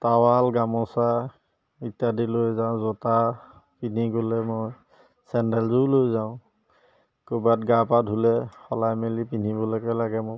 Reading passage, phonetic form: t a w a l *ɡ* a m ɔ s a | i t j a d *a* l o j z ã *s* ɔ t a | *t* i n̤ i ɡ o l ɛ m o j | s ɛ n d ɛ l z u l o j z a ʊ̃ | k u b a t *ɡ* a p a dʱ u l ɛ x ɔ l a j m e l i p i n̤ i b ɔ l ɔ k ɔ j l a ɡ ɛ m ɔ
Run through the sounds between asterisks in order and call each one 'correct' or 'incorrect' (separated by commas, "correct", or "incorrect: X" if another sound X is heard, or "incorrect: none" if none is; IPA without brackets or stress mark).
correct, incorrect: i, incorrect: z, incorrect: p, correct